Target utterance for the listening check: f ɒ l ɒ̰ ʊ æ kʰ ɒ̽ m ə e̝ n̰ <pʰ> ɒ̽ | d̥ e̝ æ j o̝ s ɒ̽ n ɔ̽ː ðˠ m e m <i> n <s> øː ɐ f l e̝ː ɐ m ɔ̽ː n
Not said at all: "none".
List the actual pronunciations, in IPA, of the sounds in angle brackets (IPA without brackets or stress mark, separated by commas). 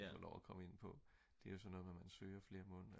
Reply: pʰ, æ, s